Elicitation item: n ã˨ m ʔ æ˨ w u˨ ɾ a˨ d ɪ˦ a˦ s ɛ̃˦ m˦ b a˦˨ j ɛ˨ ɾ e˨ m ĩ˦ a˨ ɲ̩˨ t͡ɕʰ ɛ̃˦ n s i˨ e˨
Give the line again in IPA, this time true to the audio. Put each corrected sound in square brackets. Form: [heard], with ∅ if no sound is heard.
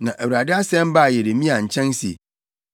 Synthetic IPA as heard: n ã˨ [∅] ʔ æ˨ w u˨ ɾ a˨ d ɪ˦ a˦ s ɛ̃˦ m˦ b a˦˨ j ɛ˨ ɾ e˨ m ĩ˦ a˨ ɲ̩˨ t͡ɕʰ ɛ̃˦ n s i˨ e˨